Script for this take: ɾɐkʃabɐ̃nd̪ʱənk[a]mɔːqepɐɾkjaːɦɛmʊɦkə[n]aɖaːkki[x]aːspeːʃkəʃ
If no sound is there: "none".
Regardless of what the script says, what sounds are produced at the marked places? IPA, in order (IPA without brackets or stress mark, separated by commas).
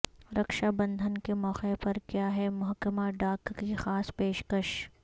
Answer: e, m, x